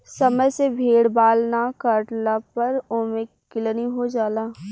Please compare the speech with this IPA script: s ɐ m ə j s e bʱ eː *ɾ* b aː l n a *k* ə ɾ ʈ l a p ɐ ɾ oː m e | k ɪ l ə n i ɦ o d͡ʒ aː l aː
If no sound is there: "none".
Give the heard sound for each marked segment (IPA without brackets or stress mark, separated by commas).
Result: ɽ, k